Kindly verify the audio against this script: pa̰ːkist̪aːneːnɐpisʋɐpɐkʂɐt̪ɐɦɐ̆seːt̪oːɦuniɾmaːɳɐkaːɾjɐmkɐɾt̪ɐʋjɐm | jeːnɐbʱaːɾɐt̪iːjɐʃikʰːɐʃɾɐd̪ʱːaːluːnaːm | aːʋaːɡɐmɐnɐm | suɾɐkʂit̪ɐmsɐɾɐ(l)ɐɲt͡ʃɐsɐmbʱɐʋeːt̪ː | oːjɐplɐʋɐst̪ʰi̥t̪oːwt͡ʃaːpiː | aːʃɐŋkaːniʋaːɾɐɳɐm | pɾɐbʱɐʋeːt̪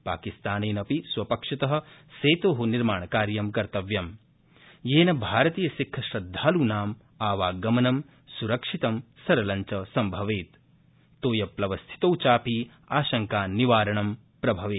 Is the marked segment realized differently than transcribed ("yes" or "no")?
no